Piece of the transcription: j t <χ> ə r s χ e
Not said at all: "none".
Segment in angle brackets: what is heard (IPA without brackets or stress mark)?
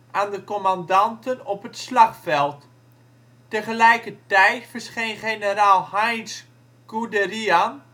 f